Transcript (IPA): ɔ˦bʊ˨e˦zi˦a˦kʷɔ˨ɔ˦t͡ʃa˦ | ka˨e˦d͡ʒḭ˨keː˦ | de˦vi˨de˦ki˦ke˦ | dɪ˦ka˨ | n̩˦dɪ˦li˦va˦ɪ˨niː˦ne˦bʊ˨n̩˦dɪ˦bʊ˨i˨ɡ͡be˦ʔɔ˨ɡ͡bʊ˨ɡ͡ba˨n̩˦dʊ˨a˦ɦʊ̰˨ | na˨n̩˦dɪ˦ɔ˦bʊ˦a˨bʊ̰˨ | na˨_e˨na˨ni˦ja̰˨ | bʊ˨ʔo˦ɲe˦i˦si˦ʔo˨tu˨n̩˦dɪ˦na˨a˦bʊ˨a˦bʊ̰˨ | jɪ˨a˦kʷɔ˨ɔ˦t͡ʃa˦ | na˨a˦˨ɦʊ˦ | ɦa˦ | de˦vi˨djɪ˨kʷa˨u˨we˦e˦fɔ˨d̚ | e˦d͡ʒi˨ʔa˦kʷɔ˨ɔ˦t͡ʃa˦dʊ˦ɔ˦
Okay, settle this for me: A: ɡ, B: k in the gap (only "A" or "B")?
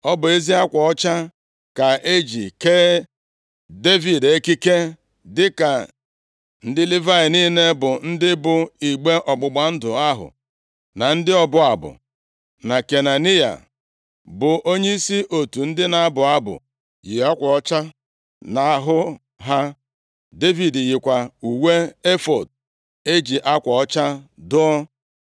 B